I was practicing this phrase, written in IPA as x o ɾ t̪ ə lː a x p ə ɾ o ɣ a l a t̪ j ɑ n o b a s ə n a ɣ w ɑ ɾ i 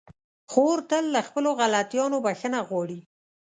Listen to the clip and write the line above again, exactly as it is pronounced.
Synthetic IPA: x o ɾ t̪ ə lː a x p ə l o ɣ a l a t̪ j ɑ n o b a x ə n a ɣ w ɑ ɽ i